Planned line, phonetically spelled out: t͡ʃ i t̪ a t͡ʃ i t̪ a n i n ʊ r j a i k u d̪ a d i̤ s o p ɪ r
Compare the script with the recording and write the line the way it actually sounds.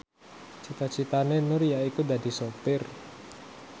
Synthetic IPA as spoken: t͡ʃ i t̪ a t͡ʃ i t̪ a n e n ʊ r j a i k u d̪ a d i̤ s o p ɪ r